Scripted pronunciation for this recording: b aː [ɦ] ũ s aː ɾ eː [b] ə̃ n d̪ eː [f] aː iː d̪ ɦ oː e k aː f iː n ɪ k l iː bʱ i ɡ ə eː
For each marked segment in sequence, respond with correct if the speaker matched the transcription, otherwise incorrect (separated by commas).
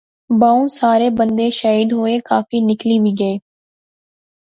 incorrect, correct, incorrect